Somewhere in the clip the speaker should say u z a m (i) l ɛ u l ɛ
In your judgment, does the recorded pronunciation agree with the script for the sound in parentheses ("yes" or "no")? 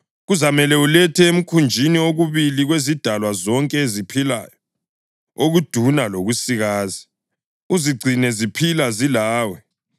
no